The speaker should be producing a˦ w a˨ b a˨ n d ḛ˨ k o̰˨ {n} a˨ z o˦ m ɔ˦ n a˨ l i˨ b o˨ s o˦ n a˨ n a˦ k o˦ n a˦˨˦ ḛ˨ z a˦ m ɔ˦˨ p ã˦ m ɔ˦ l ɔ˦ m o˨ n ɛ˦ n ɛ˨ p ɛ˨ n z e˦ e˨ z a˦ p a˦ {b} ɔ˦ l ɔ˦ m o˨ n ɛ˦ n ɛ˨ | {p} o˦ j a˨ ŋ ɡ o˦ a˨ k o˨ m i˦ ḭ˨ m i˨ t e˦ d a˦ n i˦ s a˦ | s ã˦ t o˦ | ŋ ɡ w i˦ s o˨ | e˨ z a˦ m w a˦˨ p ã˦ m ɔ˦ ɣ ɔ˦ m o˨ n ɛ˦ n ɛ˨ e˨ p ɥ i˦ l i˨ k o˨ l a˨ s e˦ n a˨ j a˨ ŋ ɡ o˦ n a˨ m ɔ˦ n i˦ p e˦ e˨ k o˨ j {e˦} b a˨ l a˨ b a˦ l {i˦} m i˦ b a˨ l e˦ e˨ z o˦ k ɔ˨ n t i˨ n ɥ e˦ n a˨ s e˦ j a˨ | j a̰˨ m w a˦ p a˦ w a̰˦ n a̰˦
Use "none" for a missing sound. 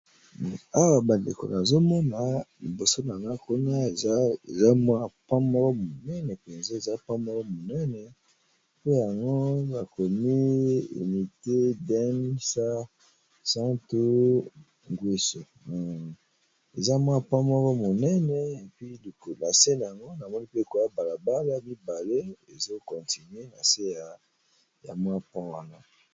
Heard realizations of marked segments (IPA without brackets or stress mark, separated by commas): n, m, p, a˦, a˦